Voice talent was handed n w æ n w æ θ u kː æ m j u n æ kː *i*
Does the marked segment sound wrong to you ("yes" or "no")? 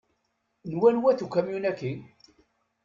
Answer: no